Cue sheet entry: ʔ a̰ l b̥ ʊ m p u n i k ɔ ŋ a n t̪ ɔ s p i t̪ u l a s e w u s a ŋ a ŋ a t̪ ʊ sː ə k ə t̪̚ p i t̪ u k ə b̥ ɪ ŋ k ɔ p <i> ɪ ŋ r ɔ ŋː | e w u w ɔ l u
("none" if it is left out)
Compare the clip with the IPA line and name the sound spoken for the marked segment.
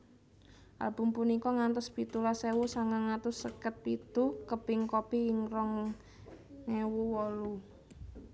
i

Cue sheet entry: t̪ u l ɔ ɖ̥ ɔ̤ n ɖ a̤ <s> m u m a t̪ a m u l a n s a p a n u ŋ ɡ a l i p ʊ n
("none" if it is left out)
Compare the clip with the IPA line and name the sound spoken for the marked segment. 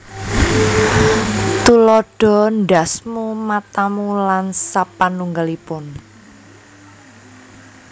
s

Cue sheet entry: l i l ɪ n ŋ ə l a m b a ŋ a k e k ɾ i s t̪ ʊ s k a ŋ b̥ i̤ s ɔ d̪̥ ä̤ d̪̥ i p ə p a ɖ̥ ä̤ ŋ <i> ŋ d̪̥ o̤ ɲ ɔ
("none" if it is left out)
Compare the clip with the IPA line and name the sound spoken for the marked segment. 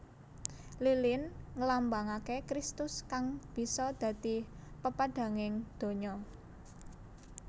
ɪ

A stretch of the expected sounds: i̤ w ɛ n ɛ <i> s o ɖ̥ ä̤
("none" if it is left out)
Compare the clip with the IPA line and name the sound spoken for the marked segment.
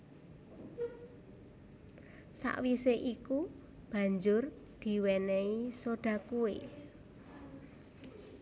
i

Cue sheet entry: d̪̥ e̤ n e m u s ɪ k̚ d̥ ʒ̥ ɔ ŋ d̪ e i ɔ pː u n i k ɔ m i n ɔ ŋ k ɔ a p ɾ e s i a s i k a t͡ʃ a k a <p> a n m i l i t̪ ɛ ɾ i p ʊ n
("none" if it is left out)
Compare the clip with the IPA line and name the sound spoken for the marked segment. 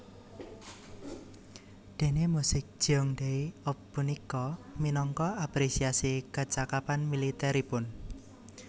p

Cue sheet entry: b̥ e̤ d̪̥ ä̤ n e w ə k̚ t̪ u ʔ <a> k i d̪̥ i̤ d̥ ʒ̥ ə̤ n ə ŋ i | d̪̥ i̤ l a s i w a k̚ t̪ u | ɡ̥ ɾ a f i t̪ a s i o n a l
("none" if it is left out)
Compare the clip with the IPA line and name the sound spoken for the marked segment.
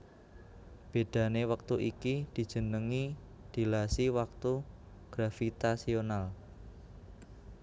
i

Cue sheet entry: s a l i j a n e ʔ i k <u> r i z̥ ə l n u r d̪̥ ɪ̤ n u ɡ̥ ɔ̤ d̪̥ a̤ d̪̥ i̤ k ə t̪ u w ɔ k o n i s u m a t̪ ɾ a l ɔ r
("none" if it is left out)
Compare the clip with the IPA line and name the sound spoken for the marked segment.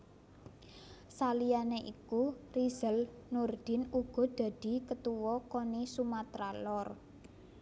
u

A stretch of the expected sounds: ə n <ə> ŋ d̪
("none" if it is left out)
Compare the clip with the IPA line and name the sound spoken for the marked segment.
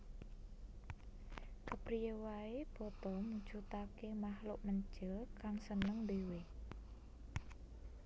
ə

